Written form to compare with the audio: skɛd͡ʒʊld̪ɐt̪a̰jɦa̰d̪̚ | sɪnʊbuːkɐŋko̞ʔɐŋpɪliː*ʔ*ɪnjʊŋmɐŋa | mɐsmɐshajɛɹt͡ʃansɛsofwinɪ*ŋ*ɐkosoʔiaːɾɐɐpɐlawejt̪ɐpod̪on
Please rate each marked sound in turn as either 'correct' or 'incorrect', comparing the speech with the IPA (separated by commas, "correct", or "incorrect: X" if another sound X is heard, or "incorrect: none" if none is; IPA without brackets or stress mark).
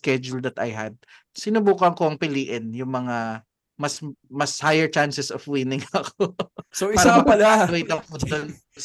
correct, correct